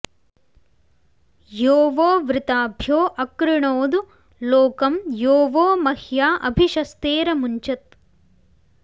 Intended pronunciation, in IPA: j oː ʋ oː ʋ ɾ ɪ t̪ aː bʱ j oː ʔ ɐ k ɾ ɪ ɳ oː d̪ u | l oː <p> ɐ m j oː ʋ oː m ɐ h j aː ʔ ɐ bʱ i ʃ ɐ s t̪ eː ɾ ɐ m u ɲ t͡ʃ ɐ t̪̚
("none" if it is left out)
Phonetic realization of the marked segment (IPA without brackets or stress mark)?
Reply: k